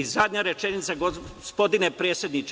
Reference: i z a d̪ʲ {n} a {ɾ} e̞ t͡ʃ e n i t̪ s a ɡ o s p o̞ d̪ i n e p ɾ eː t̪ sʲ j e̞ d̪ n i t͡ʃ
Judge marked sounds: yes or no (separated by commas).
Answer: no, yes